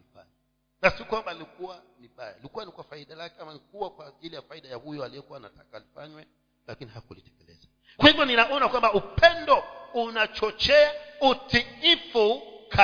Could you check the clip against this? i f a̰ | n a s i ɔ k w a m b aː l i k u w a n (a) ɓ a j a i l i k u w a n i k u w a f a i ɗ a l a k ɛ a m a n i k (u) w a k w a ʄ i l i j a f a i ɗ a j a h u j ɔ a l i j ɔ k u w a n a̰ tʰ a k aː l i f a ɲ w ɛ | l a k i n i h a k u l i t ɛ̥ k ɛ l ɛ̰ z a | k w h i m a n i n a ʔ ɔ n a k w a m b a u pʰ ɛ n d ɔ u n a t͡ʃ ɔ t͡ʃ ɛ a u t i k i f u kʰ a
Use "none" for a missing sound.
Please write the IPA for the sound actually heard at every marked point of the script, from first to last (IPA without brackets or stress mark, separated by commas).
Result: i, u